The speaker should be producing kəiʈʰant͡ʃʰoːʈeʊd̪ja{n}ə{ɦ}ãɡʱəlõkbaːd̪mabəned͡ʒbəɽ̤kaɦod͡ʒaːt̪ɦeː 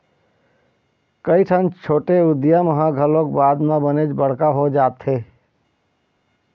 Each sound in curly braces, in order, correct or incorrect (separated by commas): incorrect, correct